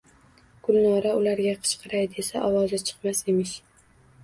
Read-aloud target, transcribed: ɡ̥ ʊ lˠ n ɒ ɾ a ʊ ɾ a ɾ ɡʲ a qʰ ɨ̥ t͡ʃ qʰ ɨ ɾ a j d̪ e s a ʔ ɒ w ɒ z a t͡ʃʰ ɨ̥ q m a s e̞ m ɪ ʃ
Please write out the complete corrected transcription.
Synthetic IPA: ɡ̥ ʊ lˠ n ɒ ɾ a ʊ l a ɾ ɡʲ a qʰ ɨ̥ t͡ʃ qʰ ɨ ɾ a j d̪ e s a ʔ ɒ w ɒ z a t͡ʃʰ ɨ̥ q m a s e̞ m ɪ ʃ